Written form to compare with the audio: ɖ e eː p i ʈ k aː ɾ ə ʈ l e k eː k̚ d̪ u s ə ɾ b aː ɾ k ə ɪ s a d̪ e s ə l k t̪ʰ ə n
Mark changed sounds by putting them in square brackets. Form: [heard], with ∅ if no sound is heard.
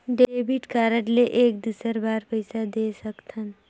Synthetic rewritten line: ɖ e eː [b] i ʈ k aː ɾ ə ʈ l e [ʔ] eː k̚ d̪ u s ə ɾ b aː ɾ [p] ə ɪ s a d̪ e s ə [∅] k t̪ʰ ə n